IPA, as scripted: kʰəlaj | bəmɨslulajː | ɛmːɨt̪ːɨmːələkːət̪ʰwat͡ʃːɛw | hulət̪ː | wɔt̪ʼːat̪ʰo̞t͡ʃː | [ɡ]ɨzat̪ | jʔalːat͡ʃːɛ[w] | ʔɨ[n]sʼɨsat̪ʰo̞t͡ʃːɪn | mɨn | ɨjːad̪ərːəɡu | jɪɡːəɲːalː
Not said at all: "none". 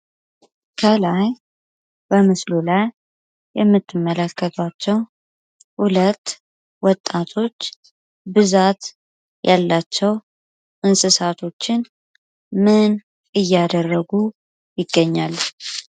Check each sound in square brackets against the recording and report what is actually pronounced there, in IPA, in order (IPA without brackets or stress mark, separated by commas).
b, w, n